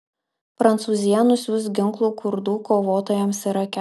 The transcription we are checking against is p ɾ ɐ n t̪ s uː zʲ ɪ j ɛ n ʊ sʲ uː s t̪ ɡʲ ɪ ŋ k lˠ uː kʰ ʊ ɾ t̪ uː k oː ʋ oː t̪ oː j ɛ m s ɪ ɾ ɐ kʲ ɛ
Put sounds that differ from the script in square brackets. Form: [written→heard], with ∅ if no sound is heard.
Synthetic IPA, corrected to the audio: p ɾ ɐ n t̪ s uː zʲ ɪ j ɛ n ʊ sʲ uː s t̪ ɡʲ ɪ ŋ k lˠ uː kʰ ʊ ɾ [t̪→d̪] uː k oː ʋ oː t̪ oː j ɛ m s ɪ ɾ ɐ kʲ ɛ